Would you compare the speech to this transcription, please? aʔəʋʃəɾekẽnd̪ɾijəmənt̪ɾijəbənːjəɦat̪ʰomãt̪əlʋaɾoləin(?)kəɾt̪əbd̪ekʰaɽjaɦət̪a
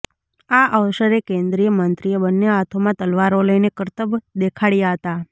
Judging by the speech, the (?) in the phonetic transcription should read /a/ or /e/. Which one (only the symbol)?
e